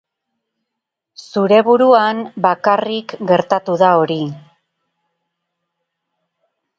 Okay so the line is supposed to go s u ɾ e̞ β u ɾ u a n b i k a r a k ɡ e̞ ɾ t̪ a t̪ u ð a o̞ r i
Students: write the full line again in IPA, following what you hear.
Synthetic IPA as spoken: s u ɾ e̞ β u ɾ u a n b a k a r i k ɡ e̞ ɾ t̪ a t̪ u ð a o̞ ɾ i